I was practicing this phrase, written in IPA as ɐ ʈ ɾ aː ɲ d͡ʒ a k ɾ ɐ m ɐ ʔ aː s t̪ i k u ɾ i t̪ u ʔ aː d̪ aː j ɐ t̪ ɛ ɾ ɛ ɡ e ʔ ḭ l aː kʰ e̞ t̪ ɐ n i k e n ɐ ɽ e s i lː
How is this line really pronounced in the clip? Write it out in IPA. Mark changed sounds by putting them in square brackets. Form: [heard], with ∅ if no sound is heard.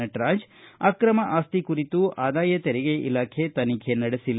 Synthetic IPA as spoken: ɐ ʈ ɾ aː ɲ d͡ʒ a k ɾ ɐ m ɐ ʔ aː s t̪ i k u ɾ i t̪ u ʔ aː d̪ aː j ɐ t̪ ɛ ɾ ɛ ɡ e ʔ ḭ l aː kʰ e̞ t̪ ɐ n i [kʰ] e n ɐ ɽ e s i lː